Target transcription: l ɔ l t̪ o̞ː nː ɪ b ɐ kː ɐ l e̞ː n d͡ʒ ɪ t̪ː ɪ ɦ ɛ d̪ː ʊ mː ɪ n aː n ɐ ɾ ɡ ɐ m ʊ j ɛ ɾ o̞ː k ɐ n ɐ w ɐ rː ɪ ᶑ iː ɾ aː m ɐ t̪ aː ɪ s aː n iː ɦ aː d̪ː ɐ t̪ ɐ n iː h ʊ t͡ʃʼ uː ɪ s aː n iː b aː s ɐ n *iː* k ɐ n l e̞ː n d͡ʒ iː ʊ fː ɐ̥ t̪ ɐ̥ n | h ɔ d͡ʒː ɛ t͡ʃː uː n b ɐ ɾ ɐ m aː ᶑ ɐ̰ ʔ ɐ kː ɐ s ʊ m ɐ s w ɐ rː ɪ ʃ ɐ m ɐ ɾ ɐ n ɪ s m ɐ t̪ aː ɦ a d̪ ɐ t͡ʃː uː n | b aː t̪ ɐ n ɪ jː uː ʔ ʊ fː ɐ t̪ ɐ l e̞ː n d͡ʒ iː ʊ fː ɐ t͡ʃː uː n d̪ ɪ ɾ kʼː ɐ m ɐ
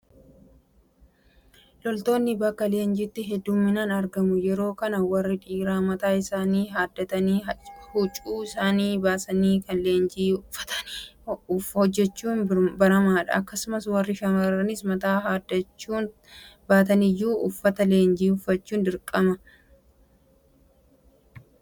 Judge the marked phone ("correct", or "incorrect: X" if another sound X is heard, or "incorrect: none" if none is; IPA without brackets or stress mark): correct